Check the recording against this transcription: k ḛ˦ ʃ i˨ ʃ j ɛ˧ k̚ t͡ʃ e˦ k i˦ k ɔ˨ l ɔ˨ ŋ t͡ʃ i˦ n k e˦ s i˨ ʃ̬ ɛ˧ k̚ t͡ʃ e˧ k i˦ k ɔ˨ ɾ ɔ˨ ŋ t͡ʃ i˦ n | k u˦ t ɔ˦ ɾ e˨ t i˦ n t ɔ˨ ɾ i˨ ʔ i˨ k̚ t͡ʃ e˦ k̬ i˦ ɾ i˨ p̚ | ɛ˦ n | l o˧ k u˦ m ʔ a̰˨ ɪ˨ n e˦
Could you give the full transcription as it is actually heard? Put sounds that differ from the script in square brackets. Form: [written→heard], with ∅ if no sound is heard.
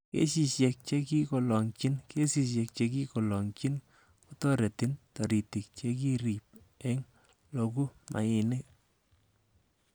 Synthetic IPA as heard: k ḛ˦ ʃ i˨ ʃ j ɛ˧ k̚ t͡ʃ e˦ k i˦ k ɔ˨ l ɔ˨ ŋ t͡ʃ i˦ n k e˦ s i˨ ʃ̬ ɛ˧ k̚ t͡ʃ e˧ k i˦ k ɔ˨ [ɾ→l] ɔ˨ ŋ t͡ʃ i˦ n | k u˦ t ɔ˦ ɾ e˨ t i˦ n t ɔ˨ ɾ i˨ [ʔ→t] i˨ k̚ t͡ʃ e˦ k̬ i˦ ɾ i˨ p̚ | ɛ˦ [n→ŋ] | l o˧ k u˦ m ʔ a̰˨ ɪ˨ n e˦